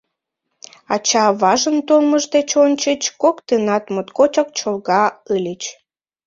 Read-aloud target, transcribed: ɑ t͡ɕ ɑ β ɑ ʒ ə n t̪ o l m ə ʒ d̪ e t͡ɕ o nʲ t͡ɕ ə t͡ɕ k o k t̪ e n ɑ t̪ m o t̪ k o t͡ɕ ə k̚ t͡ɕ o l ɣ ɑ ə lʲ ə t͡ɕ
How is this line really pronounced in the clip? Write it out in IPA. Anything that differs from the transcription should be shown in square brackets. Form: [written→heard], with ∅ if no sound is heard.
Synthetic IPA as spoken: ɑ t͡ɕ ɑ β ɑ ʒ ə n t̪ o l m ə ʒ d̪ e t͡ɕ o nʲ t͡ɕ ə t͡ɕ k o k t̪ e n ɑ t̪ m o t̪ k o t͡ɕ [ə→ɑ] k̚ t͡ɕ o l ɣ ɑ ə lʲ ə t͡ɕ